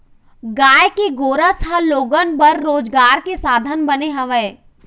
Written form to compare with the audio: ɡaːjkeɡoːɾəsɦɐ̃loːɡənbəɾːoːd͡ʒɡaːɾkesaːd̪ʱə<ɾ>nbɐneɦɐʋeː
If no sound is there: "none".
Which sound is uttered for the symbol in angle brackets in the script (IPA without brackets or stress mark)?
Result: none